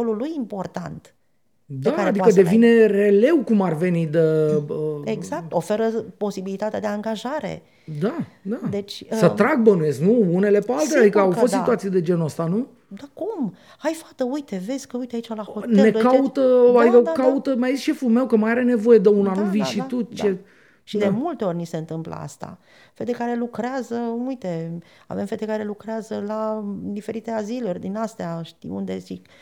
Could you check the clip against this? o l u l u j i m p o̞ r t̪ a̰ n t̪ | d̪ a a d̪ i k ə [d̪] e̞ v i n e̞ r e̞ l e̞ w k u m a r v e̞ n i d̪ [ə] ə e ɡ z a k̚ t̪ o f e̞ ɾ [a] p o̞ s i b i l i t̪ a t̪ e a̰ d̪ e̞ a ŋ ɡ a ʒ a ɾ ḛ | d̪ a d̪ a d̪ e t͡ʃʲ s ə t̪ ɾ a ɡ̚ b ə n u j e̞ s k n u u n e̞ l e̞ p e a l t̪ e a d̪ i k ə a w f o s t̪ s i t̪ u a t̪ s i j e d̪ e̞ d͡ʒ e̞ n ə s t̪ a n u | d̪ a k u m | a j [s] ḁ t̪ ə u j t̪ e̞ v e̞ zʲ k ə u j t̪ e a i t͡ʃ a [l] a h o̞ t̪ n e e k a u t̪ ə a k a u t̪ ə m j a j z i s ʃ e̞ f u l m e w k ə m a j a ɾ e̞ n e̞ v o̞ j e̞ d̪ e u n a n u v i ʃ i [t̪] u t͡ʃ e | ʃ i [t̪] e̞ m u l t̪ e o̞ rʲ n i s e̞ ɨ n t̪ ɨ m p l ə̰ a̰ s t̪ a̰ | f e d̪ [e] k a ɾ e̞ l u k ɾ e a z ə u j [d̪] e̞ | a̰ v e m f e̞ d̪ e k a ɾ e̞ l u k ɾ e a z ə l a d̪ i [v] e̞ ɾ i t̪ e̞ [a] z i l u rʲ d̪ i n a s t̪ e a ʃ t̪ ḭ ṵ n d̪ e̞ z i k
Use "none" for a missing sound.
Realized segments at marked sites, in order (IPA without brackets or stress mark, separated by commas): d̪, ə, ə, f, l, t̪, d̪, e, t̪, f, a